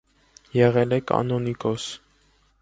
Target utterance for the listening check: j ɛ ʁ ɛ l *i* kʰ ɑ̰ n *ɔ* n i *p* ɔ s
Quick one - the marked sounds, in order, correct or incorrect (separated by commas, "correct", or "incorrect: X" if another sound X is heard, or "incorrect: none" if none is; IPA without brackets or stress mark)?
incorrect: ɛ, correct, incorrect: k